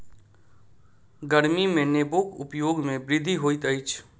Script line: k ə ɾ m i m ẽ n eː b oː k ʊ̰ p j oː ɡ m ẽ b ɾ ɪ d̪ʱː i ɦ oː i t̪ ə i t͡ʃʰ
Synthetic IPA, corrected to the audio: ɡ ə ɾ m i m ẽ n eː b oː k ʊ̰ p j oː ɡ m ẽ b ɾ ɪ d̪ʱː i ɦ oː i t̪ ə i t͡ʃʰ